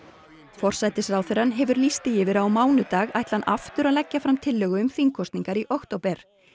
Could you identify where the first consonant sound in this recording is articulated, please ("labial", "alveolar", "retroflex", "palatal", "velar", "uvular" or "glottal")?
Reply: labial